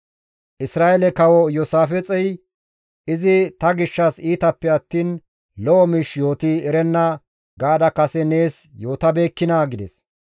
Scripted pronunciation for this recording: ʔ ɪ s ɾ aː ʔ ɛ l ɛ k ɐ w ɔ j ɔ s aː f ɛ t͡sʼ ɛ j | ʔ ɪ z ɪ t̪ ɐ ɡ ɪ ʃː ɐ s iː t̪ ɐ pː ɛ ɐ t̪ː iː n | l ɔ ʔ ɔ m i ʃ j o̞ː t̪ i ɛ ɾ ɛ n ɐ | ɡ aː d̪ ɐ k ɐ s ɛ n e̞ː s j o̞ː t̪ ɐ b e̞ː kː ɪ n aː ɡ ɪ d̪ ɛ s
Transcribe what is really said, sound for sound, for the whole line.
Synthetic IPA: ʔ ɪ s ɾ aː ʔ ɛ l ɛ k ɐ w ɔ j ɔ s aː f ɛ t͡sʼ ɛ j | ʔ ɪ z ɪ t̪ ɐ ɡ ɪ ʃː ɐ s iː t̪ ɐ pː ɛ ɐ t̪ː iː n | l ɔ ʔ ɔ m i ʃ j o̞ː t̪ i ɛ ɾ ɛ nː ɐ | ɡ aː d̪ ɐ k ɐ s ɛ n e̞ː s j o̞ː t̪ ɐ b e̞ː kː ɪ n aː ɡ ɪ d̪ ɛ s